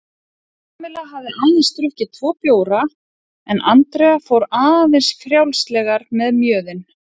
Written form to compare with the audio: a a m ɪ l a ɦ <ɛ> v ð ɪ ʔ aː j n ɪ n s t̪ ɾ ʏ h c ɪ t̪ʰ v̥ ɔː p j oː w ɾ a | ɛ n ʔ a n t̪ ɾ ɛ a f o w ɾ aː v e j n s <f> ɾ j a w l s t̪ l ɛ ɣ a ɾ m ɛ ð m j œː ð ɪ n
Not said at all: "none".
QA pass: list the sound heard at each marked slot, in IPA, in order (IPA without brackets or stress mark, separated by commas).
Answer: a, f